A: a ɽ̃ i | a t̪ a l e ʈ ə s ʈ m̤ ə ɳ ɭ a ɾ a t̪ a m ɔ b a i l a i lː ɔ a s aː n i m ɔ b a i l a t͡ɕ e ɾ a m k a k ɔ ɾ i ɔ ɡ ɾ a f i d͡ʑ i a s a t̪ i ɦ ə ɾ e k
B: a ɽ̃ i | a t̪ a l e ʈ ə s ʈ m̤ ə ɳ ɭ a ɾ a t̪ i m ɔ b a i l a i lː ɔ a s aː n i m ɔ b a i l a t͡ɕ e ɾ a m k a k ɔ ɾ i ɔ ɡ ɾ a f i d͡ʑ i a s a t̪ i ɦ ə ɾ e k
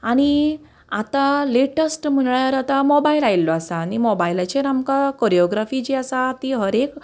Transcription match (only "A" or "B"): A